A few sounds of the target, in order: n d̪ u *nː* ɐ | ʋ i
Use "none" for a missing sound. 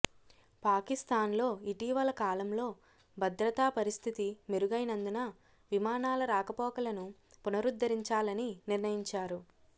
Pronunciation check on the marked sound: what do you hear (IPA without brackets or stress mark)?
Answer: n